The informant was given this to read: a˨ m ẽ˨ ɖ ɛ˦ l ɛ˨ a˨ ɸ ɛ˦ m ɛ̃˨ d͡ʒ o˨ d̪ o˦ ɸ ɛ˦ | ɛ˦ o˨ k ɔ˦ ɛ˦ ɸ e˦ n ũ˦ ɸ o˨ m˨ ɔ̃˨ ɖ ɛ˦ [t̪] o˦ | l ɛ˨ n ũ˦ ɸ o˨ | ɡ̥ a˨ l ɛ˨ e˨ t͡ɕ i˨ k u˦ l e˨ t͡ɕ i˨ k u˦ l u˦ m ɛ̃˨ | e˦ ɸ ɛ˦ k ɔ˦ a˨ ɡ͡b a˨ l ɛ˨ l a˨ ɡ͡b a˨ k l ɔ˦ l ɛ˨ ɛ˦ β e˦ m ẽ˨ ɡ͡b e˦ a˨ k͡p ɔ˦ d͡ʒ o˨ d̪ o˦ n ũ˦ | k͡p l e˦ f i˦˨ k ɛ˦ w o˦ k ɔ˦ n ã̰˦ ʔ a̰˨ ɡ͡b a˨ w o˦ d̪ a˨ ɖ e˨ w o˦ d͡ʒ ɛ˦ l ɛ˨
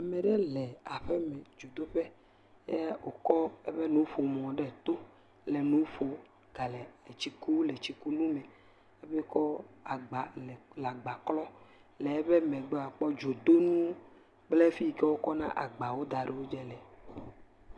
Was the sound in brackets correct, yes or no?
yes